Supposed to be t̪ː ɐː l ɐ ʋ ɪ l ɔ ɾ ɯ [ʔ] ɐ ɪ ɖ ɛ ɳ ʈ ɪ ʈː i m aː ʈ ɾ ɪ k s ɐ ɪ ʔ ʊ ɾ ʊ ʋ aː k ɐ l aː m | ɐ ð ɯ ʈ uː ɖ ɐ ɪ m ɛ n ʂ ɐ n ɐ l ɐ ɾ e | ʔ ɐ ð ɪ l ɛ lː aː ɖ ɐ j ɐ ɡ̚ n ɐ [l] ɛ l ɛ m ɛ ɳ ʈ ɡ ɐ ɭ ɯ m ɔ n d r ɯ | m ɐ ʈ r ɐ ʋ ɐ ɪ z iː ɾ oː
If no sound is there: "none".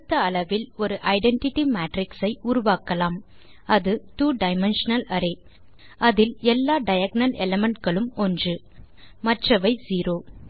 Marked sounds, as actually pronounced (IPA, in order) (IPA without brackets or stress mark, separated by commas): ʔ, l